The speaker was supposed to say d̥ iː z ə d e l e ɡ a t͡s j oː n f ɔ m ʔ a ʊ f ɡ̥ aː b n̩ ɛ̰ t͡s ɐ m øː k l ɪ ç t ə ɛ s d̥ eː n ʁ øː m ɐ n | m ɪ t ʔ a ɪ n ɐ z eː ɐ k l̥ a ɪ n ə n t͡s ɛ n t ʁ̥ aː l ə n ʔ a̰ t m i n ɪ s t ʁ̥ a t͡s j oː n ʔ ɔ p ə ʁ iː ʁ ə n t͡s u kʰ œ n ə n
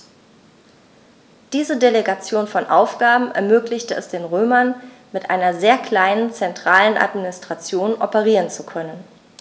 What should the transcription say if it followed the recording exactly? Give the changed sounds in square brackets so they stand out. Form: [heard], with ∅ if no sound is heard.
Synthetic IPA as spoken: d̥ iː z ə d e l e ɡ a t͡s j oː n f ɔ [n] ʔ a ʊ f ɡ̥ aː b [m̩] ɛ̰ [∅] ɐ m øː k l ɪ ç t ə ɛ s d̥ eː n ʁ øː m ɐ n | m ɪ t ʔ a ɪ n ɐ z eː ɐ k l̥ a ɪ n ə n t͡s ɛ n t ʁ̥ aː l ə n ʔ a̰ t m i n ɪ s t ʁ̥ a t͡s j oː n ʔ ɔ p ə ʁ iː ʁ ə n t͡s u kʰ œ n ə n

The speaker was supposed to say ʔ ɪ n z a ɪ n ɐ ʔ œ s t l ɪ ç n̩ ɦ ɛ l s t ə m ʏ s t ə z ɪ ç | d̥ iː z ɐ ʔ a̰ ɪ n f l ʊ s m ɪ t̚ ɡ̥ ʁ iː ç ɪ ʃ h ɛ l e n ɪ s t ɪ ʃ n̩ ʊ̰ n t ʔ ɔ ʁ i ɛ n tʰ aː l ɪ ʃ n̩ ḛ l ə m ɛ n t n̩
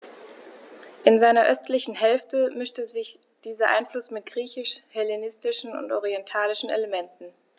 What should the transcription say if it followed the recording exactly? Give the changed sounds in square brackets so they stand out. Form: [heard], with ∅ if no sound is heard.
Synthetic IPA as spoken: ʔ ɪ n z a ɪ n ɐ ʔ œ s t l ɪ ç n̩ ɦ ɛ l [f] t ə m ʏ [ʃ] t ə z ɪ ç | d̥ iː z ɐ ʔ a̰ ɪ n f l ʊ s m ɪ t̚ ɡ̥ ʁ iː ç ɪ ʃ h ɛ l e n ɪ s t ɪ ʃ n̩ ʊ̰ n t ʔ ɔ ʁ i ɛ n tʰ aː l ɪ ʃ n̩ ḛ l ə m ɛ n t n̩

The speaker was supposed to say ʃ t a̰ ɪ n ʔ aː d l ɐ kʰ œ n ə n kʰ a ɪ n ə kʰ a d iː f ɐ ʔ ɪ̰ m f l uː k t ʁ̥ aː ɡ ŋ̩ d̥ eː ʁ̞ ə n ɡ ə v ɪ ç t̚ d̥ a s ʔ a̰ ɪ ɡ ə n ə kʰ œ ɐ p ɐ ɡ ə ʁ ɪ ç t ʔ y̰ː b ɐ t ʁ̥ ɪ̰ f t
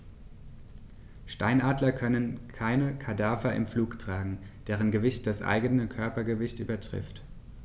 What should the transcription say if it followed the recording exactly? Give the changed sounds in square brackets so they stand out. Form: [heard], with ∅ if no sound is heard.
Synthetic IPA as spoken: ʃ t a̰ ɪ n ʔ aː d l ɐ kʰ œ n ə n kʰ a ɪ n ə kʰ a d [aː] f ɐ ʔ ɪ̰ m f l uː k t ʁ̥ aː ɡ ŋ̩ d̥ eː ʁ̞ ə n ɡ ə v ɪ ç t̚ d̥ a s ʔ a̰ ɪ ɡ ə n ə kʰ œ ɐ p ɐ ɡ ə [v] ɪ ç t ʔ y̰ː b ɐ t ʁ̥ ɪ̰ f t

